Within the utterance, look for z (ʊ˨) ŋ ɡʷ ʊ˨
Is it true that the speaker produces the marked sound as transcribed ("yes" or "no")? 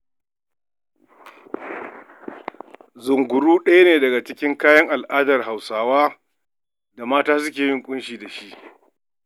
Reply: yes